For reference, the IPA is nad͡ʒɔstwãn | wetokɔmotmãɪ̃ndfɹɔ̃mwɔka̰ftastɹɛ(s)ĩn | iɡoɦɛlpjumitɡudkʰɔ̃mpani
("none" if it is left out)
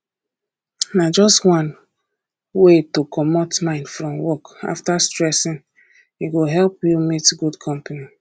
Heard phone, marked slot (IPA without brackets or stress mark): s